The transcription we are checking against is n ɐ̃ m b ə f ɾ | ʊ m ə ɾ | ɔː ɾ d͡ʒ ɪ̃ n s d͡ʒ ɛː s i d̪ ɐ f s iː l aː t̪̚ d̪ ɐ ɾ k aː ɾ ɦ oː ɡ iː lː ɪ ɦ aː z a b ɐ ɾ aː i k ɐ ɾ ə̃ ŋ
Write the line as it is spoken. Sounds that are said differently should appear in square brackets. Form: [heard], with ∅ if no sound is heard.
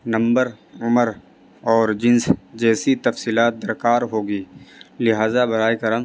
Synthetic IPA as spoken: n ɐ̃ m b ə [∅] ɾ | ʊ m ə ɾ | ɔː ɾ d͡ʒ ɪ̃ n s d͡ʒ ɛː s i [t̪] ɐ f s iː l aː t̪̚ d̪ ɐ ɾ k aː ɾ ɦ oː ɡ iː [l] ɪ ɦ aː z a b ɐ ɾ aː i k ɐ ɾ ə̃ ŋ